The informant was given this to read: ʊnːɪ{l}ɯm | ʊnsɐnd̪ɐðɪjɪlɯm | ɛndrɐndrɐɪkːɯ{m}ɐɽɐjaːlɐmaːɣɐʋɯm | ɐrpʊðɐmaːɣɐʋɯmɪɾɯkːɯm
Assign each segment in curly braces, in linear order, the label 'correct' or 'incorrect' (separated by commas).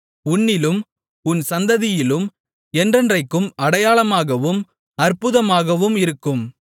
correct, correct